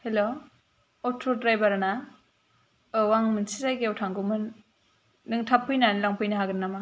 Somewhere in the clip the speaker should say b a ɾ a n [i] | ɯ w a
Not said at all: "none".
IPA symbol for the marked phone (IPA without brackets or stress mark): a